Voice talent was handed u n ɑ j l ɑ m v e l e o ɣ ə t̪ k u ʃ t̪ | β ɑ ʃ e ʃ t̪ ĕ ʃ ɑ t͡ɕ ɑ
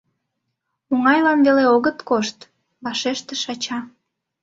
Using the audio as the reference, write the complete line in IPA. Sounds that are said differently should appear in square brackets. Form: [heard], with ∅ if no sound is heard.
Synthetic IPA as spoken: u [ŋ] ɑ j l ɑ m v e l e o ɣ ə t̪ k [o] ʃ t̪ | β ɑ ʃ e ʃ t̪ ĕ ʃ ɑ t͡ɕ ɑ